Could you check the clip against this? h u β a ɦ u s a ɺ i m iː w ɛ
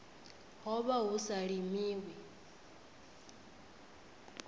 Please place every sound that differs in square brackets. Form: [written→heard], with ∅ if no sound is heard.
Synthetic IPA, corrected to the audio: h [u→ɔ] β a ɦ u s a ɺ i m iː w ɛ